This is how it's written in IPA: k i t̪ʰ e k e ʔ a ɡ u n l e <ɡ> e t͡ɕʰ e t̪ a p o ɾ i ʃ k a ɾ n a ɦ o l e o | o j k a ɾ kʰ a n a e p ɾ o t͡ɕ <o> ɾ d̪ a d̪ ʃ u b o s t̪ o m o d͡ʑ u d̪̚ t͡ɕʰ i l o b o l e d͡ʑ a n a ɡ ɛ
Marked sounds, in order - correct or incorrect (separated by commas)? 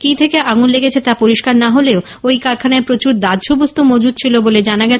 correct, incorrect